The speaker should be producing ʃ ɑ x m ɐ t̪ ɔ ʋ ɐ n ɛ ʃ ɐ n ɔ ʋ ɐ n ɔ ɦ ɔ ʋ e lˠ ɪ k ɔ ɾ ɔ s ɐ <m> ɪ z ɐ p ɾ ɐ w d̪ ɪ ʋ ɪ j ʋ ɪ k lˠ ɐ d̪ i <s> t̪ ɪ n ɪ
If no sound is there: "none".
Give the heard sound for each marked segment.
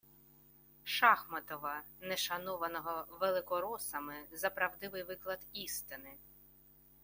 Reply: m, s

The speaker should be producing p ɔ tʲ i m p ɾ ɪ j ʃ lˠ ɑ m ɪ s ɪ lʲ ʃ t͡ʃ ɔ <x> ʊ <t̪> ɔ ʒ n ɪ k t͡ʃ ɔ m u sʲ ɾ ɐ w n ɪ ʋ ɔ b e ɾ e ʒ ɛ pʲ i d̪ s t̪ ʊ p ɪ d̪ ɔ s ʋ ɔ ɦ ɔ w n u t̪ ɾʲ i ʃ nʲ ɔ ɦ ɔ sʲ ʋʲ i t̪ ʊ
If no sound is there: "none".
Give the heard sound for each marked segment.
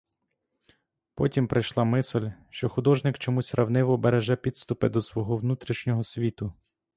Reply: x, d̪

